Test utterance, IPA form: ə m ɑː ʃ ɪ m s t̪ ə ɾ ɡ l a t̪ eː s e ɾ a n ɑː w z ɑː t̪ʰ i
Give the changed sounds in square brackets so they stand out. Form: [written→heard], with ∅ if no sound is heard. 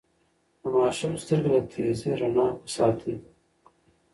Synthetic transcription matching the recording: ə m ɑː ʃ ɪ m s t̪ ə ɾ ɡ l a [t̪→t̪ʰ] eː [s→z] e ɾ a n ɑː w [z→s] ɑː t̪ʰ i